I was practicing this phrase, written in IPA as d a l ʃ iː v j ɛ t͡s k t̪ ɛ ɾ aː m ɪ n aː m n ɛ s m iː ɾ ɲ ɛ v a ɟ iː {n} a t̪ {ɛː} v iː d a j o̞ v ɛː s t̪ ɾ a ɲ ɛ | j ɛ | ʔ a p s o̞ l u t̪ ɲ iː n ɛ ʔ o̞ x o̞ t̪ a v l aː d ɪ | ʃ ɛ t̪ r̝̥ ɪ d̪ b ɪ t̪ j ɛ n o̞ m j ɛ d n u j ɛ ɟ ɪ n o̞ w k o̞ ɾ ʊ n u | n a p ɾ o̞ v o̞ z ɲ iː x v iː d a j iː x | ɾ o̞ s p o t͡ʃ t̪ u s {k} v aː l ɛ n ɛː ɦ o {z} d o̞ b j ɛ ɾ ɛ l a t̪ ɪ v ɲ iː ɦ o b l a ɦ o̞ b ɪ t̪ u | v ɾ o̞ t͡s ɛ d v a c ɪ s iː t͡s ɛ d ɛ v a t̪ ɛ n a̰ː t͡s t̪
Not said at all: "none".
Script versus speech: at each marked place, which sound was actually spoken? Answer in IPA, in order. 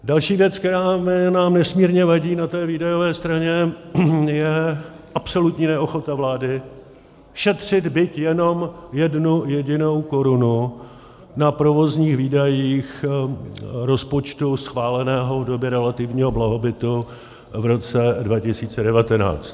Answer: n, ɛː, x, v

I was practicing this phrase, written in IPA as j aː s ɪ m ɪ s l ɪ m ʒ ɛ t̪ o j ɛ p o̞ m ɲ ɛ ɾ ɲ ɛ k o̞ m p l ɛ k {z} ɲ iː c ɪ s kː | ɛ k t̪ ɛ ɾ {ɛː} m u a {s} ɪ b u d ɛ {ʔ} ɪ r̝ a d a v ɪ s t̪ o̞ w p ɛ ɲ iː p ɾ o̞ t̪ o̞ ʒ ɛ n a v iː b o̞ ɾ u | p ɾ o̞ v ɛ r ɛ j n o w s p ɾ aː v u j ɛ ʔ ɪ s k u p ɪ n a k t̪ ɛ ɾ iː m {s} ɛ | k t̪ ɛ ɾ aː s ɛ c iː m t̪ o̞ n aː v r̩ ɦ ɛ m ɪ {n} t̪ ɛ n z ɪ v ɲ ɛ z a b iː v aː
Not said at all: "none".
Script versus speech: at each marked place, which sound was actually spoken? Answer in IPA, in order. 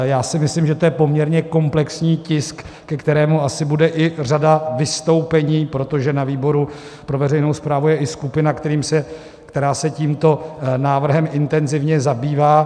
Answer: s, ɛː, s, ʔ, s, n

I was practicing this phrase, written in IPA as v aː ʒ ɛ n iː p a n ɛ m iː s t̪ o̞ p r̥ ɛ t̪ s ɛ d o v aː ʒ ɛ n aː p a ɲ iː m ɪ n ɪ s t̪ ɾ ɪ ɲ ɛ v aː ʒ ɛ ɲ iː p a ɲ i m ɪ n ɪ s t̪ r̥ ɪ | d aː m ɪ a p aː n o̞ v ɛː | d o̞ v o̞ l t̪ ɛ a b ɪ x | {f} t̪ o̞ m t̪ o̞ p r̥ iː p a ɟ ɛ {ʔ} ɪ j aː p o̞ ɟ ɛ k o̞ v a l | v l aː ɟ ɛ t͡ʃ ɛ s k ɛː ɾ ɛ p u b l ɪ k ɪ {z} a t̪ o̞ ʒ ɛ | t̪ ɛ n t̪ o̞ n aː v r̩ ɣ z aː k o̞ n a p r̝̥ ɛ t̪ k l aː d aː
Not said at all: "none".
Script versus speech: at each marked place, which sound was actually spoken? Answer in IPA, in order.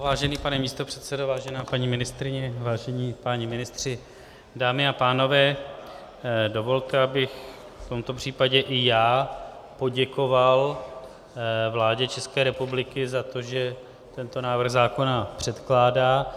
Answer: f, ʔ, z

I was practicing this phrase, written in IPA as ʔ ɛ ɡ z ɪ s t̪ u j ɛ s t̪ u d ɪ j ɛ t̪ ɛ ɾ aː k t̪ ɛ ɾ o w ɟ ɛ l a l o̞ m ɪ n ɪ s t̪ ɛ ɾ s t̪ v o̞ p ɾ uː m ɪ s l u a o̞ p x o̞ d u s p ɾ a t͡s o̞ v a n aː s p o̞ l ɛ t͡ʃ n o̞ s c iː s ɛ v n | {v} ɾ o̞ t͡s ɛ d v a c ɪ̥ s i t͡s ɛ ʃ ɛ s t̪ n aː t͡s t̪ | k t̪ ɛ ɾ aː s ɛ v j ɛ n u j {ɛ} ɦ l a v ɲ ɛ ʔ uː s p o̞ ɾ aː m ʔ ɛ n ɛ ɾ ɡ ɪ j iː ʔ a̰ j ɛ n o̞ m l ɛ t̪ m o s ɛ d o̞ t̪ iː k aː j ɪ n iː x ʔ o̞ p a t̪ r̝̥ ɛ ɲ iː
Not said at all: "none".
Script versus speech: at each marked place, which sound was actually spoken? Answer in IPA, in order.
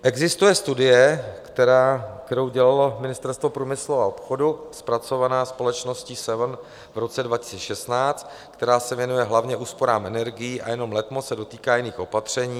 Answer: v, ɛ

